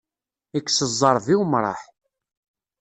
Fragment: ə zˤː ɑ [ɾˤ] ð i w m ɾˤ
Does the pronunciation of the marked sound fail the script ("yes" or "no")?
no